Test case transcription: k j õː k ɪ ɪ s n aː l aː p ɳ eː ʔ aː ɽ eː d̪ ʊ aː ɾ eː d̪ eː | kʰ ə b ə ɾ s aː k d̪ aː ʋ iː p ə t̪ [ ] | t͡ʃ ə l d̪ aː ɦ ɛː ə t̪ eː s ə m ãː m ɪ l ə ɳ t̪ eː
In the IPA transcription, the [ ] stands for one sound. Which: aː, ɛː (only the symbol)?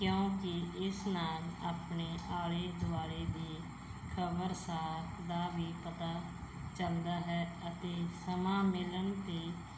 aː